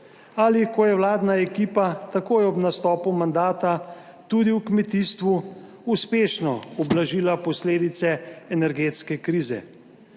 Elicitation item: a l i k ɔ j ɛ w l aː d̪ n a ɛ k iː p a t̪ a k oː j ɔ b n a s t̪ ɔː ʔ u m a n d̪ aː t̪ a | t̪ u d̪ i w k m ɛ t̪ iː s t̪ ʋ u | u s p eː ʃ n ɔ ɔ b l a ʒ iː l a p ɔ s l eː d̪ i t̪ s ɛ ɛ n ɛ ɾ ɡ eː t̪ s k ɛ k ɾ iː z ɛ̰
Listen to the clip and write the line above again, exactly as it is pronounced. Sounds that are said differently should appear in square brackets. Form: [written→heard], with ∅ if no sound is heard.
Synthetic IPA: a l i k ɔ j ɛ w l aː d̪ n a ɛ k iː p a t̪ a k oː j ɔ b n a s t̪ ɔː [ʔ→p] u m a n d̪ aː t̪ a | t̪ u d̪ i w k m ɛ t̪ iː s t̪ ʋ u | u s p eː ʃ n ɔ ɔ b l a ʒ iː l a p ɔ s l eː d̪ i t̪ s ɛ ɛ n ɛ ɾ ɡ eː t̪ s k ɛ k ɾ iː z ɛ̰